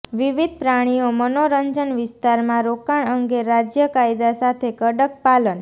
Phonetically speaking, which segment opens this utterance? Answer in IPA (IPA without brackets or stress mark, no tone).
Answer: ʋ